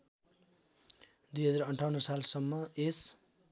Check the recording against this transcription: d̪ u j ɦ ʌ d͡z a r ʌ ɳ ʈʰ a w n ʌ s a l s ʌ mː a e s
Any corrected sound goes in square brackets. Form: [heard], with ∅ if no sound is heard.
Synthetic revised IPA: d̪ u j ɦ ʌ d͡z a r ʌ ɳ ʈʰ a w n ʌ s a l s ʌ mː [ʌ] e s